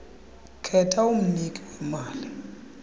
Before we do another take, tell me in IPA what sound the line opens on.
kʰ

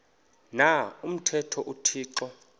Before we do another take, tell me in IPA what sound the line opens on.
n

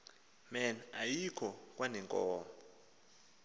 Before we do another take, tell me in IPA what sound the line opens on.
m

